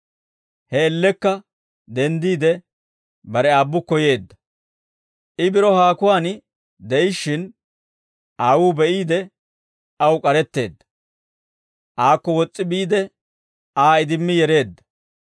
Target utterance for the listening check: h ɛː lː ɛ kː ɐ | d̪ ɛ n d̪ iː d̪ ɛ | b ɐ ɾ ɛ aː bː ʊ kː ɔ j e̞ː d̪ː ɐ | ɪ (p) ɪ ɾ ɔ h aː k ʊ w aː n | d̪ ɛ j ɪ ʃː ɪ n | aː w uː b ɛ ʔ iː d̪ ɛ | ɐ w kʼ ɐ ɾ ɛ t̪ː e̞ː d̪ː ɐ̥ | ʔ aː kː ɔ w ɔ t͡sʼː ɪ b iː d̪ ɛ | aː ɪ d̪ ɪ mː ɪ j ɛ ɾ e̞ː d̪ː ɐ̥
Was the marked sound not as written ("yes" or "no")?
yes